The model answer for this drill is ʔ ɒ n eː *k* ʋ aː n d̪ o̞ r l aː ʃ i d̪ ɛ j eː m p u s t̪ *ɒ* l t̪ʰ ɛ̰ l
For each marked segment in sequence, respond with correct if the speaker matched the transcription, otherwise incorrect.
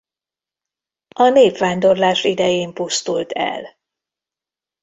incorrect, incorrect

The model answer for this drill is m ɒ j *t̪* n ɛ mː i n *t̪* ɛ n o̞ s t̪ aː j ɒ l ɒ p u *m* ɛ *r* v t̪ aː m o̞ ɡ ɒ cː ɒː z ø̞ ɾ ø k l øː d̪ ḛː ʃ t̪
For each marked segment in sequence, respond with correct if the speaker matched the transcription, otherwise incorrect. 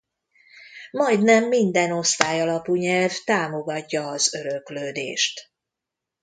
incorrect, incorrect, incorrect, incorrect

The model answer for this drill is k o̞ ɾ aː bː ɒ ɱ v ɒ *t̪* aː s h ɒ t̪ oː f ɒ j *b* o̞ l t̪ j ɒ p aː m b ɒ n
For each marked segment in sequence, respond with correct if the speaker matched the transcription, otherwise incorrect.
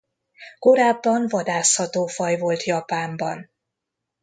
incorrect, incorrect

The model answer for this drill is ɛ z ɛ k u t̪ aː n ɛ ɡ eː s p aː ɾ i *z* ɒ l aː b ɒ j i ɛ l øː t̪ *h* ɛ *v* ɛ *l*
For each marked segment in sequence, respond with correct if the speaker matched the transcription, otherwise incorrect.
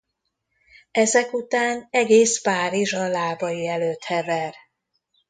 incorrect, correct, correct, incorrect

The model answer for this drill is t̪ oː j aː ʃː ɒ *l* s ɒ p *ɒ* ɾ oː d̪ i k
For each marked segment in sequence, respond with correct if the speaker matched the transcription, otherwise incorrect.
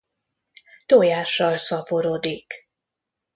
correct, incorrect

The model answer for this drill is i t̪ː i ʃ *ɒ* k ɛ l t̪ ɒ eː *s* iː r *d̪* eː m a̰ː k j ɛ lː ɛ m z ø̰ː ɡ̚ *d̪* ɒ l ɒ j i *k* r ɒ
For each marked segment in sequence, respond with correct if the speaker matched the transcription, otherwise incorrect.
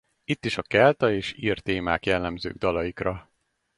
correct, incorrect, incorrect, correct, correct

